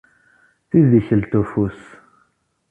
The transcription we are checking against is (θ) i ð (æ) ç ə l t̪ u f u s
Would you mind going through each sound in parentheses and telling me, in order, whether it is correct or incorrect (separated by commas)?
correct, incorrect